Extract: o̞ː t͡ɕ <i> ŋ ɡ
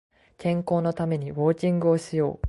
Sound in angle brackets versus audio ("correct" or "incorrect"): incorrect